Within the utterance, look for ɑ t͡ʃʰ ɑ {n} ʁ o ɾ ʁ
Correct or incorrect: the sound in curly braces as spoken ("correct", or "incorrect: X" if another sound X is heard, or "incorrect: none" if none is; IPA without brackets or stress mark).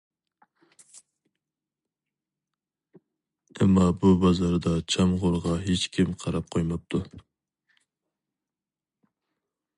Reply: incorrect: m